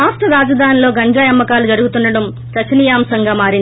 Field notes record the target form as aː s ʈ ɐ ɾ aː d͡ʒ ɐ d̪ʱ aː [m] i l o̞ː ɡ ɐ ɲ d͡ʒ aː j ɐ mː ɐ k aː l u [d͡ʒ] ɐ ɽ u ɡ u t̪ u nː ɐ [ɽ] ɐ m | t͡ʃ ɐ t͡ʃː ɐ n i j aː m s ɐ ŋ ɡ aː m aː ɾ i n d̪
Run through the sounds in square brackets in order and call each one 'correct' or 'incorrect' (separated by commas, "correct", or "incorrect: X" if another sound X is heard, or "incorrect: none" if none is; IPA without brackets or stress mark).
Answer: incorrect: n, correct, correct